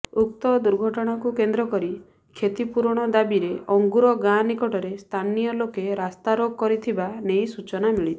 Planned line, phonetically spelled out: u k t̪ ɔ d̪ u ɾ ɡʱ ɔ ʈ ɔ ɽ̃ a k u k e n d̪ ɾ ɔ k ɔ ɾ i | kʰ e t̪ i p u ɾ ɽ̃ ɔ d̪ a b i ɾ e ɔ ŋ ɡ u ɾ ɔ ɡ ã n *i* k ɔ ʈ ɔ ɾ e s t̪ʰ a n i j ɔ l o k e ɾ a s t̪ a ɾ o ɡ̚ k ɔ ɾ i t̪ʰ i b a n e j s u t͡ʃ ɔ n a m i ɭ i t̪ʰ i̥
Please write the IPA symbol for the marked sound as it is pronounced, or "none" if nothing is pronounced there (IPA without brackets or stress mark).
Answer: i